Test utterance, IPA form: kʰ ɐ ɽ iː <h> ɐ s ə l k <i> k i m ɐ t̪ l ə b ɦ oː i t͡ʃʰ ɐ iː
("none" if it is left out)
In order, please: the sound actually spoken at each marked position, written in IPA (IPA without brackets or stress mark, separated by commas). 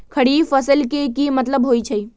f, e